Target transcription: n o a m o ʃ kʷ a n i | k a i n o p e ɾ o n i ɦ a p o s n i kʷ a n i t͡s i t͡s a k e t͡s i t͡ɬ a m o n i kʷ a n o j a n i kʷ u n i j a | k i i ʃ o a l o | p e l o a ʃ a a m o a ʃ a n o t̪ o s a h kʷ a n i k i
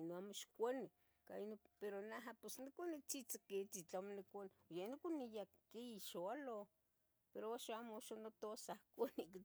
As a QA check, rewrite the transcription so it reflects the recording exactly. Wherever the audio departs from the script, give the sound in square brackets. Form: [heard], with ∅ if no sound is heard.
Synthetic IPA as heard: n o a m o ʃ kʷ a n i | k a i n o p e ɾ o n [a] ɦ a p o s n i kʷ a n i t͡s i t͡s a k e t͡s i t͡ɬ a m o n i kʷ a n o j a n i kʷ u n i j a | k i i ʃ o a l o | p e [ɾ] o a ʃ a a m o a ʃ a n o t̪ o s a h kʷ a n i k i